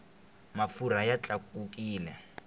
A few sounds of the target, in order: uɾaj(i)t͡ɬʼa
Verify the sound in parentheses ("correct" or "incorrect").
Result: incorrect